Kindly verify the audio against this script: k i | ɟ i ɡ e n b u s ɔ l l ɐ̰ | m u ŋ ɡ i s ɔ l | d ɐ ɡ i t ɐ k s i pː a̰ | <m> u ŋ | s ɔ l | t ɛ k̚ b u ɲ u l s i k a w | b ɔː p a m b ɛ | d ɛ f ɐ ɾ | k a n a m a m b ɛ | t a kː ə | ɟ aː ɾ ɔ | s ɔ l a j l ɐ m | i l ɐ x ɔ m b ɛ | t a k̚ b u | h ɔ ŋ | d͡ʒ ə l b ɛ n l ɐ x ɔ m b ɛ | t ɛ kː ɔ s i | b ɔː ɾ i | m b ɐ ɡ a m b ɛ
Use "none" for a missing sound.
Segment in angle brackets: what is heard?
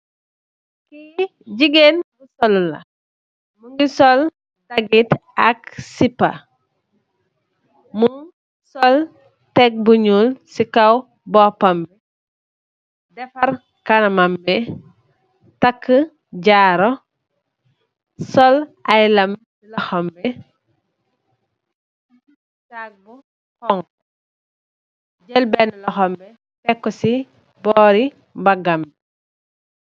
m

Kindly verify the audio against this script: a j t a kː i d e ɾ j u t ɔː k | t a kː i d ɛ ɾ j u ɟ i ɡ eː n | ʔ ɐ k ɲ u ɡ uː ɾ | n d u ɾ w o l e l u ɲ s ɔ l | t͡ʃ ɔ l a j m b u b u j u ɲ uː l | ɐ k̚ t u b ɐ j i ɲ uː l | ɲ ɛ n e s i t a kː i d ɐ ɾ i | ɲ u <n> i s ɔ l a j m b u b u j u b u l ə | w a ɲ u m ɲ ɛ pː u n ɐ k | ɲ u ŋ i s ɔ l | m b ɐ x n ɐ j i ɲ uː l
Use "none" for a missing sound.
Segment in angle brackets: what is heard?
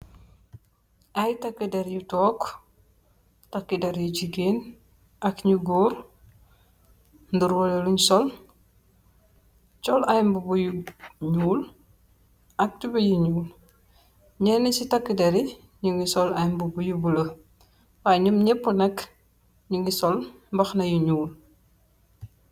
ŋ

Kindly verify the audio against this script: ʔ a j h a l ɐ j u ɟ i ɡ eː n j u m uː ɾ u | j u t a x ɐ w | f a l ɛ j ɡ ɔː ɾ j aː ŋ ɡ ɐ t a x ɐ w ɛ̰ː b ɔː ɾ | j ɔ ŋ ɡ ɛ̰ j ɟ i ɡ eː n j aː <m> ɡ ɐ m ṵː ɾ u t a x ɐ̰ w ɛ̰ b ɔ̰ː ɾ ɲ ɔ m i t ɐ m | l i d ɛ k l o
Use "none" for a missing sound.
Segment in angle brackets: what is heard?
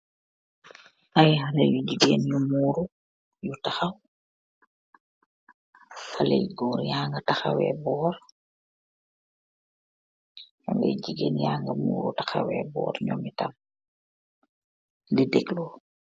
ŋ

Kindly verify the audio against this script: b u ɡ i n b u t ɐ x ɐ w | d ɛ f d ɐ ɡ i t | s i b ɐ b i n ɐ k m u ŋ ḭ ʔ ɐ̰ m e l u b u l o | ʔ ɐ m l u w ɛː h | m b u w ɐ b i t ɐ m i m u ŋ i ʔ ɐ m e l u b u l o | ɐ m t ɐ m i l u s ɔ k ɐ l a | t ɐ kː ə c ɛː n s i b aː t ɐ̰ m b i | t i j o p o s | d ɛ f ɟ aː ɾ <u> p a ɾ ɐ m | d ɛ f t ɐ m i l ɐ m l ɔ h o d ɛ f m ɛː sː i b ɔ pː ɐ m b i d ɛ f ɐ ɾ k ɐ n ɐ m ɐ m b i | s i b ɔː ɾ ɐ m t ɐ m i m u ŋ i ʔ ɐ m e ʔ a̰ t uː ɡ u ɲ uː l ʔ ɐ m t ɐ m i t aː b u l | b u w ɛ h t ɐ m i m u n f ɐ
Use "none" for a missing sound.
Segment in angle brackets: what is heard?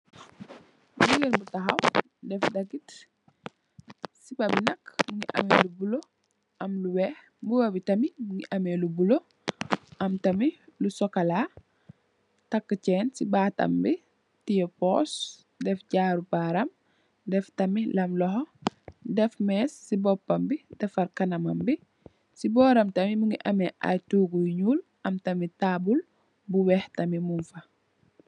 u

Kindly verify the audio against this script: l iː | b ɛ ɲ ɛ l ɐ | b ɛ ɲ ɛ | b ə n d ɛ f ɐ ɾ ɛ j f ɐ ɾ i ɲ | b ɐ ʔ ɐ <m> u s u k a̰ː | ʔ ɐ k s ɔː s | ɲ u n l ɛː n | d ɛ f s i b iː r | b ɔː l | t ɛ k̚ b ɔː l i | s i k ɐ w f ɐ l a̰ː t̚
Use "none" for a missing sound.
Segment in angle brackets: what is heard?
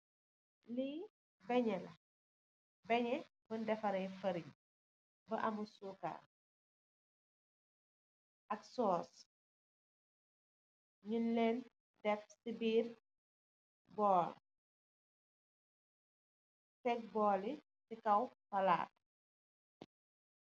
m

